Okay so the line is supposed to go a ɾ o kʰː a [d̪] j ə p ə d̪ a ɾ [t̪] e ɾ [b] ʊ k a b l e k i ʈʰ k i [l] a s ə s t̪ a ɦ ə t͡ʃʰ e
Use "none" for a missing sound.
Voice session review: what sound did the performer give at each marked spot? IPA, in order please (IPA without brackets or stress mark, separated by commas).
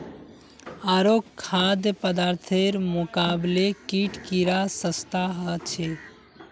d̪, t̪ʰ, m, ɾ